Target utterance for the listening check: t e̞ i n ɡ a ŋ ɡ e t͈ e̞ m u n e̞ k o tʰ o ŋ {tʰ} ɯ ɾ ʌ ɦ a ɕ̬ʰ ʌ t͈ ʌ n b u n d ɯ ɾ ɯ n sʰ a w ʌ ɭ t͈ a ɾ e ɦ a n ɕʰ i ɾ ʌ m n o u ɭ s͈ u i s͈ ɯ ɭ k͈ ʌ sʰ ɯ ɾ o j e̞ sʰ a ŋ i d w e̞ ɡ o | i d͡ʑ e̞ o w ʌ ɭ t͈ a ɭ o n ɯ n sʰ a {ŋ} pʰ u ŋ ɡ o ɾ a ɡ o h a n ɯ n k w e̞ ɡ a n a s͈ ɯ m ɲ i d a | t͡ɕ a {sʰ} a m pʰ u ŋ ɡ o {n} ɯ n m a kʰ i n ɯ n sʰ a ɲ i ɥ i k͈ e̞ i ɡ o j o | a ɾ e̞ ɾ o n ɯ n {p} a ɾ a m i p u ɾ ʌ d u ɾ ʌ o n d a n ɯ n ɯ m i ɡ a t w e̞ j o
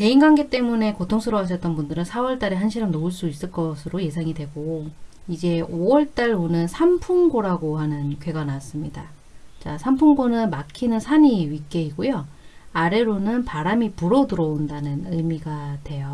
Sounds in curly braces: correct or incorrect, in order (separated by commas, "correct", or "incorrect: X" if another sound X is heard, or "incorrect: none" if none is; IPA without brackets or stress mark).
incorrect: sʰ, incorrect: m, correct, correct, correct